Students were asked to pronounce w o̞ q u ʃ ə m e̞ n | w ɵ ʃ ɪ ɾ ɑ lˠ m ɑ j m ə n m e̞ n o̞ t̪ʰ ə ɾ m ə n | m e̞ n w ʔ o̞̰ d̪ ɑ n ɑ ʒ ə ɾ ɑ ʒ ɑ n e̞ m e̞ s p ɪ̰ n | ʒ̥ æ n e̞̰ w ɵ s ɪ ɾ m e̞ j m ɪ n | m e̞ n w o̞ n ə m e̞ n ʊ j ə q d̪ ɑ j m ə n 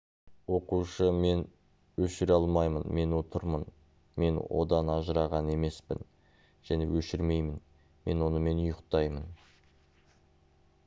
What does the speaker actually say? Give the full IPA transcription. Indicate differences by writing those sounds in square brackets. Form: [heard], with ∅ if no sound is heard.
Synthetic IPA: w o̞ q u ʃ ə m e̞ n | w ɵ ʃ ɪ ɾ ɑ lˠ m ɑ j m ə n m e̞ n o̞ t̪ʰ ə ɾ m ə n | m e̞ n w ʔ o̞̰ d̪ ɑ n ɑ ʒ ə ɾ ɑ [ʁ] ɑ n e̞ m e̞ s p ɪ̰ n | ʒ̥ æ n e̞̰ w ɵ [ʃ] ɪ ɾ m e̞ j m ɪ n | m e̞ n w o̞ n ə m e̞ n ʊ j ə q [t̪] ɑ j m ə n

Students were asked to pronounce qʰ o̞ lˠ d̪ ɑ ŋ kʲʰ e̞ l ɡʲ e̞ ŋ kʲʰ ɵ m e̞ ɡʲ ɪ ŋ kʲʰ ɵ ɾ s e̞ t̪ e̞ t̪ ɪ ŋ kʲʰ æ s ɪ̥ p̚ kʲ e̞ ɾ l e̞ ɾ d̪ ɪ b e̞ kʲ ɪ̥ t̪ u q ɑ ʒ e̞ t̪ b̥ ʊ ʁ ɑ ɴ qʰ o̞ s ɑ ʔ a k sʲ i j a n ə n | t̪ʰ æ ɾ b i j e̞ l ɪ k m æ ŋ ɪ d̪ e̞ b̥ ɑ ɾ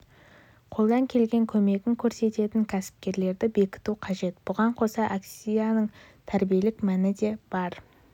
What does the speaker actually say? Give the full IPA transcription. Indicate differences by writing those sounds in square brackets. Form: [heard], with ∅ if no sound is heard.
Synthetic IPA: qʰ o̞ lˠ d̪ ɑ ŋ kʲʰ e̞ l ɡʲ e̞ ŋ kʲʰ ɵ m e̞ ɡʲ ɪ ŋ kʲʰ ɵ ɾ s e̞ t̪ e̞ t̪ ɪ ŋ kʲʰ æ s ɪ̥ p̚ kʲ e̞ ɾ l e̞ ɾ d̪ ɪ b e̞ kʲ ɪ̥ t̪ u [qʰ] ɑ ʒ e̞ t̪ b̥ ʊ ʁ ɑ ɴ qʰ o̞ s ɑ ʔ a k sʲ i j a n ə [ɴ] | t̪ʰ æ ɾ b i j e̞ l ɪ k m æ [n] ɪ d̪ e̞ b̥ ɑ ɾ

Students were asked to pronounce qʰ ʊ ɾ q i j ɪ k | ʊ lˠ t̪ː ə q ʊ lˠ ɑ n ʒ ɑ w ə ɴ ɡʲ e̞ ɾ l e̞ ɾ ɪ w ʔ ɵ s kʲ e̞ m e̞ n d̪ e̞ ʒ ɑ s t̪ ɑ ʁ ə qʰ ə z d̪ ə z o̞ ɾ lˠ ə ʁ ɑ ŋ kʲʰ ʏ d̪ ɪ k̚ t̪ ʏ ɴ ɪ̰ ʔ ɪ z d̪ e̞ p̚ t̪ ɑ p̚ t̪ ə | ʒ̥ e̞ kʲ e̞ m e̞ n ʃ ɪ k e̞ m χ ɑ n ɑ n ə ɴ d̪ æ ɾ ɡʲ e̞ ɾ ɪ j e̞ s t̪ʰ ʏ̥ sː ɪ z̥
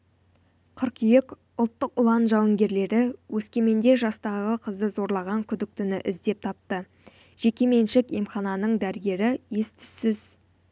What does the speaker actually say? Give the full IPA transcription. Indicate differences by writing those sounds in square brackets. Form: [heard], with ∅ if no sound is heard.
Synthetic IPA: qʰ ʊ ɾ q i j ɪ k | ʊ lˠ t̪ː ə q ʊ lˠ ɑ n ʒ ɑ w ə [ŋ] ɡʲ e̞ ɾ l e̞ ɾ ɪ w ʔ ɵ s kʲ e̞ m e̞ n d̪ e̞ ʒ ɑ s t̪ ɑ ʁ ə qʰ ə z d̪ ə z o̞ ɾ lˠ [ɑ] ʁ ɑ ŋ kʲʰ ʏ d̪ ɪ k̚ t̪ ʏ [n] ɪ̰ ʔ ɪ z d̪ e̞ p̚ [t̪ʰ] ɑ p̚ t̪ ə | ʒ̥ e̞ kʲ e̞ m e̞ n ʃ ɪ k e̞ m χ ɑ n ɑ n ə ɴ d̪ æ ɾ ɡʲ e̞ ɾ ɪ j e̞ s t̪ʰ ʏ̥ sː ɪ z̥

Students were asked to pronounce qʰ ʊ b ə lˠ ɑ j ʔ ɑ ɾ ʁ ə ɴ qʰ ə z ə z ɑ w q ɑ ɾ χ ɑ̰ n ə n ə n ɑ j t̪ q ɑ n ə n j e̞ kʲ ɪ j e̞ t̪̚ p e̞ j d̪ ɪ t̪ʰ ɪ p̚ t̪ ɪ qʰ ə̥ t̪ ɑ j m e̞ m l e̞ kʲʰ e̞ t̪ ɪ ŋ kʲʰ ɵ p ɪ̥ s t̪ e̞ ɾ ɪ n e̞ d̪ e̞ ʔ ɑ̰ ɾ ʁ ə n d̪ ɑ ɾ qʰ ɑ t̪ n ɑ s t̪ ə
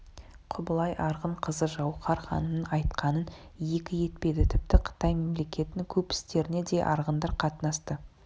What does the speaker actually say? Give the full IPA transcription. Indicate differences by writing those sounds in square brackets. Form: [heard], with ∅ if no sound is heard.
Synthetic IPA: qʰ ʊ b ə lˠ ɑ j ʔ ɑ ɾ ʁ ə ɴ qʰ ə z ə [ʒ] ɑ w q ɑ ɾ χ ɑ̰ n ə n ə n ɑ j t̪ q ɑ n ə n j e̞ kʲ ɪ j e̞ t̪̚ p e̞ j d̪ ɪ t̪ʰ ɪ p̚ t̪ ɪ qʰ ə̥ t̪ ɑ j m e̞ m l e̞ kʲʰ e̞ t̪ ɪ ŋ kʲʰ ɵ p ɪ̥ s t̪ e̞ ɾ ɪ n e̞ d̪ e̞ ʔ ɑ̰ ɾ ʁ ə n d̪ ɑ ɾ qʰ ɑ t̪ n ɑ s t̪ ə

